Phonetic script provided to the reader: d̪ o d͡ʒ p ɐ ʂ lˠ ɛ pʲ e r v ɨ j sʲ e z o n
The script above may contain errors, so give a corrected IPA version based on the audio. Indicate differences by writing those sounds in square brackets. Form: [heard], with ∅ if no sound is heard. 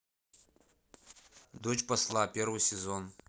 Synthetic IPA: d̪ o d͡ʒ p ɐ [s] lˠ [a] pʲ e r v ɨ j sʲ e z o n